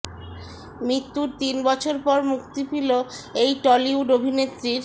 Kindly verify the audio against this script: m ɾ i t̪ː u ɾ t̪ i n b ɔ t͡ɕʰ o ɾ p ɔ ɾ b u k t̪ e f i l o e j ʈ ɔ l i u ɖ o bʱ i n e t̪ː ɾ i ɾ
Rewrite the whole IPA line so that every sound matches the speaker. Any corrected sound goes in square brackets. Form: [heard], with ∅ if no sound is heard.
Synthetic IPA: m ɾ i t̪ː u ɾ t̪ i n b ɔ t͡ɕʰ o ɾ p ɔ ɾ [m] u k t̪ [i] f i l o e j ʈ ɔ l i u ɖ o bʱ i n e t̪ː ɾ i ɾ

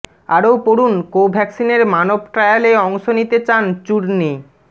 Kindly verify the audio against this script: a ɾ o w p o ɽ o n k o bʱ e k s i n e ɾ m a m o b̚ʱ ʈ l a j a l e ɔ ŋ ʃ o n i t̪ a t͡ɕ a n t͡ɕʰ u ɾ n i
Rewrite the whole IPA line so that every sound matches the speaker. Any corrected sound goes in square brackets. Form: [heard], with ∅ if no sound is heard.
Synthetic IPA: a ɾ o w p o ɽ [u] n k o bʱ [ɛ] k s i n e ɾ m a [n] o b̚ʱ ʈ [ɾ] a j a l e ɔ ŋ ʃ o n i t̪ [e] t͡ɕ a n [t͡ɕ] u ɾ n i

